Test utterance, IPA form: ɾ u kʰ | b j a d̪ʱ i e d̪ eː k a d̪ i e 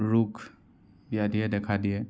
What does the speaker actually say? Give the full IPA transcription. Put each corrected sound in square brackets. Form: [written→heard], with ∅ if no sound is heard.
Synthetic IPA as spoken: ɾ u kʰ | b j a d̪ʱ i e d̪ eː [k→kʰ] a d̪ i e